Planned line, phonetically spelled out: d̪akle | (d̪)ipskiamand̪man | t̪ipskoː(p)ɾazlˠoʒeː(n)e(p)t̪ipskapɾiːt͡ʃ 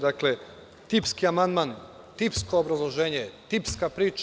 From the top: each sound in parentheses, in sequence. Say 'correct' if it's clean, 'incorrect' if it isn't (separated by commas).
incorrect, incorrect, incorrect, incorrect